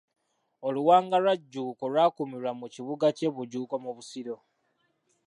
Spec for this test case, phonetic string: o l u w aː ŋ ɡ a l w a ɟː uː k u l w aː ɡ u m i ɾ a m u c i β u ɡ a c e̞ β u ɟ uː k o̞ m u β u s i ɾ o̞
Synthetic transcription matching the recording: o l u w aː ŋ ɡ a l w a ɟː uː k o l w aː k u m i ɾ a m u c i β u ɡ a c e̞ β u ɟ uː k o̞ m u β u s i ɾ o̞

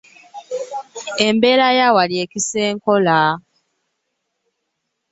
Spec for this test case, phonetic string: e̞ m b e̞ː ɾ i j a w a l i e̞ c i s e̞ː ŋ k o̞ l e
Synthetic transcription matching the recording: e̞ m b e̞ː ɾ a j a w a l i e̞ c i s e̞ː ŋ k o̞ l a

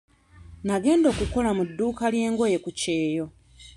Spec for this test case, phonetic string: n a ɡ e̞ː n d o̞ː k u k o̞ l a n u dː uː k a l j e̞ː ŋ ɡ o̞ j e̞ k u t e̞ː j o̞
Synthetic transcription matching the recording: n a ɡ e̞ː n d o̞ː k u k o̞ l a m u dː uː k a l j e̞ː ŋ ɡ o̞ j e̞ k u c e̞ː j o̞

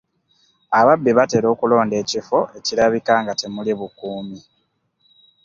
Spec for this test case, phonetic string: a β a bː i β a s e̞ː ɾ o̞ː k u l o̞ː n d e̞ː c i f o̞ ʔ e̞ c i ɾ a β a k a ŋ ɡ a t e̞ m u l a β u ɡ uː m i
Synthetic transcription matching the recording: a β a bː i β a t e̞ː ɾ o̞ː k u l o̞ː n d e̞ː c i f o̞ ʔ e̞ c i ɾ a β i k a ŋ ɡ a t e̞ m u l i β u k uː m i

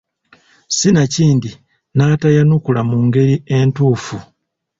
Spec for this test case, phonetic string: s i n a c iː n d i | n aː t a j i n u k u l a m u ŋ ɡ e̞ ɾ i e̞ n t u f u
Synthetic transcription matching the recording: s i n a c iː n d i | n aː t a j a n u k u l a m u ŋ ɡ e̞ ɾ i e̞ n t uː f u

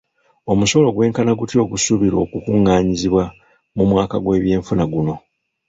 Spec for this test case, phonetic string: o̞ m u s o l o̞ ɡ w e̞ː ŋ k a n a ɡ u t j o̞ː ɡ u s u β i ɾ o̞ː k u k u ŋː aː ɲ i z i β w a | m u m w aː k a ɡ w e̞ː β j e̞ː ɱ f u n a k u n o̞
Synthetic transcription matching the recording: o̞ m u s o l o̞ ɡ w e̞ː ŋ k a n a ɡ u t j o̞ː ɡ u s u β i ɾ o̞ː k u k u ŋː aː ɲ i z i β w a | m u m w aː k a ɡ w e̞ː β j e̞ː ɱ f u n a ɡ u n o̞

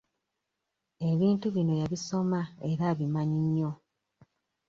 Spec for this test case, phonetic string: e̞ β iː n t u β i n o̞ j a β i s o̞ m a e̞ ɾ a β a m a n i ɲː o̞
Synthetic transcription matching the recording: e̞ β iː n t u β i n o̞ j a β i s o̞ m a e̞ ɾ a β i m a ɲ i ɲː o̞

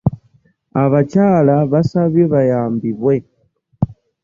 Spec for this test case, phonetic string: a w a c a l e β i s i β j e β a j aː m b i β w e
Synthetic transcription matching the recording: a β a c a l a β a s a β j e β a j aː m b i β w e

